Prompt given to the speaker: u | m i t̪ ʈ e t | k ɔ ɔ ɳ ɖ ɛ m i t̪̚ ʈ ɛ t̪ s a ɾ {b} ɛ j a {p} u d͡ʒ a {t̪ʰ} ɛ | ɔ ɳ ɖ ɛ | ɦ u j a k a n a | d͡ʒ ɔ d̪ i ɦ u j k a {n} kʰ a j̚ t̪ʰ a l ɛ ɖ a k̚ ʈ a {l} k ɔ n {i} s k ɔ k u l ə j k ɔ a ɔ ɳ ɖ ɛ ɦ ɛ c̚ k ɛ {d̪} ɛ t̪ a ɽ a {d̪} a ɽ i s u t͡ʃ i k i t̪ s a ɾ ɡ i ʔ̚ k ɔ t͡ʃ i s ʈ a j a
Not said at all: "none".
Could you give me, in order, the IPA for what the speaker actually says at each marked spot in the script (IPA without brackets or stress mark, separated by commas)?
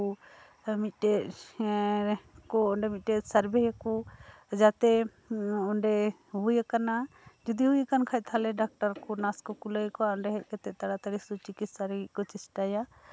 b, k, t̪, n, ɾ, a, t̪, t̪